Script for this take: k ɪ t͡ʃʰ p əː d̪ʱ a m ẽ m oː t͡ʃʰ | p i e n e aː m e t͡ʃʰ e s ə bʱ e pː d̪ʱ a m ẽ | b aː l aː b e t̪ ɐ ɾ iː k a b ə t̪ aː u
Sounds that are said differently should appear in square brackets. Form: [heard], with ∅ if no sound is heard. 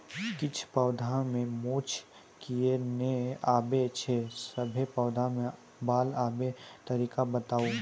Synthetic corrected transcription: k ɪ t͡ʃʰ p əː d̪ʱ a m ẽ m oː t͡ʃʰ | [k] i e n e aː [b] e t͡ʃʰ e s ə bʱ e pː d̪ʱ a m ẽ | b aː l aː b e t̪ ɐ ɾ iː k a b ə t̪ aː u